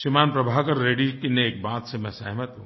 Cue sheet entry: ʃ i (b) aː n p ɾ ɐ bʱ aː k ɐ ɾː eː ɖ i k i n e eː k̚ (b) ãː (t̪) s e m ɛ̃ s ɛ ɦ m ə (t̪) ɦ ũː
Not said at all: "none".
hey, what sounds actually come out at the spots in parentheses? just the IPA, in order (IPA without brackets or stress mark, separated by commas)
m, b, t̪, t̪